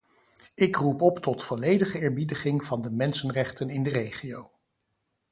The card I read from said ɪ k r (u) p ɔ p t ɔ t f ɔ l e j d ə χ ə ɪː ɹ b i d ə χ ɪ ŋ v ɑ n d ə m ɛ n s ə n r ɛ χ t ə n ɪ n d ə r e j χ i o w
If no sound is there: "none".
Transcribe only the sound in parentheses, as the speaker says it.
u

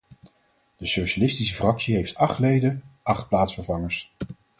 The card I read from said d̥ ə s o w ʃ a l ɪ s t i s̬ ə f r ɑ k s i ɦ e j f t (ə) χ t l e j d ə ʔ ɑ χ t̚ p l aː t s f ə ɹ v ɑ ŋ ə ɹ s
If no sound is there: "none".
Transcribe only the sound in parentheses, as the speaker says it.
ɑ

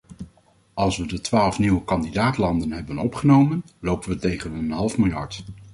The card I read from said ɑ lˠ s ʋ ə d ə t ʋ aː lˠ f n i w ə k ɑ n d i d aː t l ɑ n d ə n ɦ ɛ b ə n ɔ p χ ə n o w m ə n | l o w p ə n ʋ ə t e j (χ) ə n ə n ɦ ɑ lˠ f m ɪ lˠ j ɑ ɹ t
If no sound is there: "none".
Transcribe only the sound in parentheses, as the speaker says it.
χ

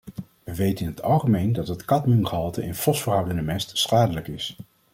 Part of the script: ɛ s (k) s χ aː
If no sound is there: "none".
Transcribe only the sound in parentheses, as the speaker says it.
t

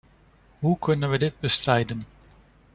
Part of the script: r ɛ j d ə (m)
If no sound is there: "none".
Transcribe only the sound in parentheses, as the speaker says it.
n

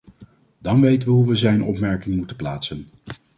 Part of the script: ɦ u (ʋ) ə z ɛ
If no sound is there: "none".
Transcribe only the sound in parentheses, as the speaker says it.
ʋ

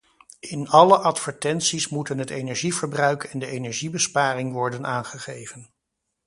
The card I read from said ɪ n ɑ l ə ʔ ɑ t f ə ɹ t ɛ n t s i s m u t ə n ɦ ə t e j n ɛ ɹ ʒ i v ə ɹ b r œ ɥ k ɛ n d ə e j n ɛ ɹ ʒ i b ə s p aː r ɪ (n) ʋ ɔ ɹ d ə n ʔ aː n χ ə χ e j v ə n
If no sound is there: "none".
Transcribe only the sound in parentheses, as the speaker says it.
ŋ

